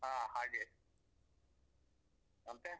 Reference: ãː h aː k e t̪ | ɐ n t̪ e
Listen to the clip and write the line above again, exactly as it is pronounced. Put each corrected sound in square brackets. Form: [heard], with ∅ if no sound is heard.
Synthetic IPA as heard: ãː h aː [ɡ] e [∅] | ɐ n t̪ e

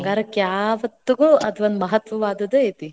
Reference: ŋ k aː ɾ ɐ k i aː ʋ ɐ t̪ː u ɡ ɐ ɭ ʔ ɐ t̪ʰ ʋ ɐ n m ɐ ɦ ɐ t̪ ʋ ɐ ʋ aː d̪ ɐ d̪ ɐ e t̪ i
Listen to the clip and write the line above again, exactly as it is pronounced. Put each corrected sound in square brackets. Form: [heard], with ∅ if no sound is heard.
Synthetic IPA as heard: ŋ [ɡ] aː ɾ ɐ k [j] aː ʋ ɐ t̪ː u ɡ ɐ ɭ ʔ ɐ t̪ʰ ʋ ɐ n m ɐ ɦ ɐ t̪ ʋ ɐ ʋ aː d̪ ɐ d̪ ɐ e t̪ i

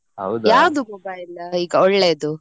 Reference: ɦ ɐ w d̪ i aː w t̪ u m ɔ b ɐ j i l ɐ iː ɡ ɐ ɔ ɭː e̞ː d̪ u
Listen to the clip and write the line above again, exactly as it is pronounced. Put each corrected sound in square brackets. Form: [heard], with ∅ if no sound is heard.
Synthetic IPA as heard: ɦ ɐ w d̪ [j] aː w [d̪] u m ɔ b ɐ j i l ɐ iː ɡ ɐ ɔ ɭː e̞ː d̪ u

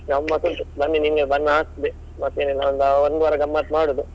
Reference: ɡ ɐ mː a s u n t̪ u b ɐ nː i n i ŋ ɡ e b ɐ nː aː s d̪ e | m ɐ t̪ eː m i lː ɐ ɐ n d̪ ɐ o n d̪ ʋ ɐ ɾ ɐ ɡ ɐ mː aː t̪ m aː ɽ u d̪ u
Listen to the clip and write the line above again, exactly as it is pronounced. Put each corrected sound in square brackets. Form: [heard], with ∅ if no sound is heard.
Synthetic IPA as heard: ɡ ɐ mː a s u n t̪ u b ɐ nː i n i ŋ ɡ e b ɐ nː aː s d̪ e | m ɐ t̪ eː [n] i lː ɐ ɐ n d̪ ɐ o n d̪ ʋ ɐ ɾ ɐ ɡ ɐ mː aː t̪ m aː ɽ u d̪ u

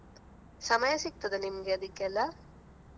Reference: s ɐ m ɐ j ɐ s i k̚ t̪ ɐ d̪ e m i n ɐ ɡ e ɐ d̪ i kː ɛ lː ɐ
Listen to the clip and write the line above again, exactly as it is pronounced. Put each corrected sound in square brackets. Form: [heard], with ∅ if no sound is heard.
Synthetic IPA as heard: s ɐ m ɐ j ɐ s i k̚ t̪ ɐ d̪ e [n] i [m] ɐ ɡ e ɐ d̪ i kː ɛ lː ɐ

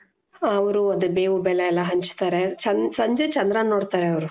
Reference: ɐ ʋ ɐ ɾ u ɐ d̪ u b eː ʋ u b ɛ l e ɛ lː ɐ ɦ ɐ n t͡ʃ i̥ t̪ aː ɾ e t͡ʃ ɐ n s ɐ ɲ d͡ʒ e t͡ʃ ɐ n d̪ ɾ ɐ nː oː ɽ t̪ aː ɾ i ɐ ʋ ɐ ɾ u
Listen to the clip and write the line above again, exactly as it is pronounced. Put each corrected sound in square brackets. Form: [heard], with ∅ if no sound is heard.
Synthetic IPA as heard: ɐ ʋ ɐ ɾ u ɐ d̪ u b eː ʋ u b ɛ l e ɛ lː ɐ ɦ ɐ [ɲ] t͡ʃ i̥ t̪ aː ɾ e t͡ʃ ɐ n s ɐ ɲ d͡ʒ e t͡ʃ ɐ n d̪ ɾ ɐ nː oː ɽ t̪ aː ɾ [e] ɐ ʋ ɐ ɾ u

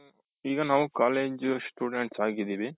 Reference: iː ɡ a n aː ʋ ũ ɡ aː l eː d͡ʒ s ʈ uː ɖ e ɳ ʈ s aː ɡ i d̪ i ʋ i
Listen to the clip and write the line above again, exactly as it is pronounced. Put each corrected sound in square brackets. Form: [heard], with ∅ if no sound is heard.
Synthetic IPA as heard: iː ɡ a n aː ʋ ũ [k] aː l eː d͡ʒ s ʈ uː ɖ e ɳ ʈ s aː ɡ i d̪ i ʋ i

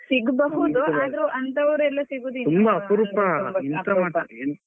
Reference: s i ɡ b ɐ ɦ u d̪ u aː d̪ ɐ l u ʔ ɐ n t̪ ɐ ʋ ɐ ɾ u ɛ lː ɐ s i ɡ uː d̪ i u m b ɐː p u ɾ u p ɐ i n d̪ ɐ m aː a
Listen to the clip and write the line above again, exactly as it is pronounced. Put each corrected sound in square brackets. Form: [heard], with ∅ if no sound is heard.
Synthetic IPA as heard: s i ɡ b ɐ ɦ u d̪ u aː d̪ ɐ [ɾ] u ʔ ɐ n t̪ ɐ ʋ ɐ ɾ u ɛ lː ɐ s i ɡ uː d̪ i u m b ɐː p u ɾ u p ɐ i n [t̪] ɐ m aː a

